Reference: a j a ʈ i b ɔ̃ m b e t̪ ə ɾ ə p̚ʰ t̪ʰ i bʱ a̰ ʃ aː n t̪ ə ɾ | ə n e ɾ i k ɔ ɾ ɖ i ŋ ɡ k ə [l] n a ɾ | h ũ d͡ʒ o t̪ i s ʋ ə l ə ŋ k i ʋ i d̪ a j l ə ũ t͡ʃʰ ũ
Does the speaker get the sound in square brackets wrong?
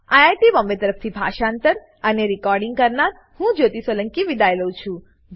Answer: yes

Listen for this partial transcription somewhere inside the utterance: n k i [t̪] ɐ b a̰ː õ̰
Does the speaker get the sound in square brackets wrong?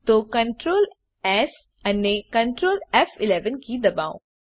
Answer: yes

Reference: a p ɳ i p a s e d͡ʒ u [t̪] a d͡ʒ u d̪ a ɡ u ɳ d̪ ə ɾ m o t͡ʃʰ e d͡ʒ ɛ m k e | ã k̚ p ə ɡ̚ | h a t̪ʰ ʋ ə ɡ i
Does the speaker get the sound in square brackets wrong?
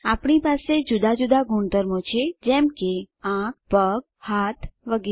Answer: yes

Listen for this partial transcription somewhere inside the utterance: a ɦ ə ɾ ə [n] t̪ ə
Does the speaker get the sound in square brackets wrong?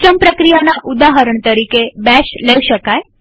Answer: yes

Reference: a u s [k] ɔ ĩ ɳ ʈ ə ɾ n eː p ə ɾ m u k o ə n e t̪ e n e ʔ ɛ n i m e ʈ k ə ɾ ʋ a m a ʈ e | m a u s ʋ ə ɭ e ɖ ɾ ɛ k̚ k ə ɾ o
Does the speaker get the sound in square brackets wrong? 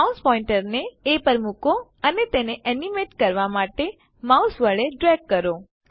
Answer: yes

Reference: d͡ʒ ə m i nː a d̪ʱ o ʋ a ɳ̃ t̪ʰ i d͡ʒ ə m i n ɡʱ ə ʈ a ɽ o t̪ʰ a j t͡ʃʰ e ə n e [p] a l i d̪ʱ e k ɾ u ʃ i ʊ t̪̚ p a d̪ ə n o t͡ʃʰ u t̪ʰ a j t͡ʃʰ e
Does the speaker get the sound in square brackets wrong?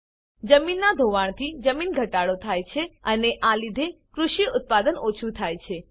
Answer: yes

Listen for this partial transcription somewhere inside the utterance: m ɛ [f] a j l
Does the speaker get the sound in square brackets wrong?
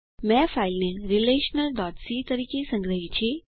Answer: no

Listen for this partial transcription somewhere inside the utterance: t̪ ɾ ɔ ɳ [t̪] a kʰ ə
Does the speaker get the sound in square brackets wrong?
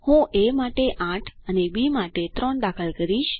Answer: yes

